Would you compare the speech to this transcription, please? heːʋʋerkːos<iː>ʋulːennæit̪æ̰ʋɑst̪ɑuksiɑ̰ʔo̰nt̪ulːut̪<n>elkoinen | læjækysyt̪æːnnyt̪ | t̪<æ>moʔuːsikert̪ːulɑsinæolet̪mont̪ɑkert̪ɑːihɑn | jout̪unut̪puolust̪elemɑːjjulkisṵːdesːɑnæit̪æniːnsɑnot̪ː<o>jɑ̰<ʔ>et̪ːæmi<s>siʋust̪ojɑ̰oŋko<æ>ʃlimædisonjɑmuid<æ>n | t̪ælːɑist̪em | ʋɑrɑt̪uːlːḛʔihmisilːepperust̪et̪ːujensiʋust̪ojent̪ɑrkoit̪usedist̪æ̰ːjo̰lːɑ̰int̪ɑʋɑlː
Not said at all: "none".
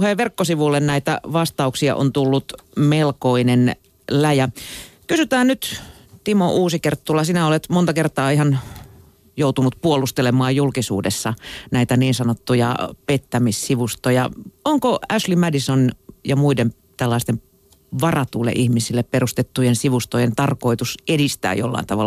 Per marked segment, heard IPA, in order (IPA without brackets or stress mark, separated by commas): i, m, i, u, p, s, æ, e